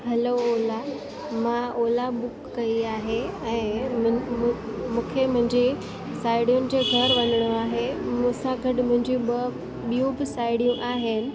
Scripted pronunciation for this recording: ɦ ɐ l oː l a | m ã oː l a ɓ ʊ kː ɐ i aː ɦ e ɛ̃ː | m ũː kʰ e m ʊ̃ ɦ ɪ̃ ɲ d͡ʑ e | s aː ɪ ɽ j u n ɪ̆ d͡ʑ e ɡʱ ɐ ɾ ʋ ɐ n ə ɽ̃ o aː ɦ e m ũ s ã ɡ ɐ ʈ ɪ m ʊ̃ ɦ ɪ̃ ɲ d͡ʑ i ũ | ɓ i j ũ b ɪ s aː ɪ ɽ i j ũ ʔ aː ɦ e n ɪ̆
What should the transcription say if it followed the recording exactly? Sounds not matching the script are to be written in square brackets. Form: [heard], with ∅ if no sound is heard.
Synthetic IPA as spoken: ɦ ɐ l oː l a | m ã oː l a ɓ ʊ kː ɐ i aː ɦ e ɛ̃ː | m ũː kʰ e m ʊ̃ ɦ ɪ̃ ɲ d͡ʑ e | s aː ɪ ɽ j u n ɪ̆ d͡ʑ e ɡʱ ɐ ɾ ʋ ɐ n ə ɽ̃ o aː ɦ e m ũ s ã ɡ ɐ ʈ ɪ m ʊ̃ ɦ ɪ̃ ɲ d͡ʑ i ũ | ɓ i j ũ b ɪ s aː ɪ ɽ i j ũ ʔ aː ɦ e n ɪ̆